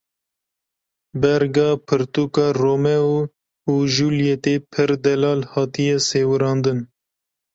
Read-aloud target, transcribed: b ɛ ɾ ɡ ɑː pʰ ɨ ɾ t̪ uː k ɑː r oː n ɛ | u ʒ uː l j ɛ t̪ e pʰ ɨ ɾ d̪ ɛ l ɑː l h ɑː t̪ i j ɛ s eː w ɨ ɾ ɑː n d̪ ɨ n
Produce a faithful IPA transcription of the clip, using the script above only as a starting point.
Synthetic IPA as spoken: b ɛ ɾ ɡ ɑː pʰ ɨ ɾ t̪ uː k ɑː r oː m ɛ | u ʒ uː l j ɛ t̪ e pʰ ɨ ɾ d̪ ɛ l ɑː l h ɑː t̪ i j ɛ s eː w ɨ ɾ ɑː n d̪ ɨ n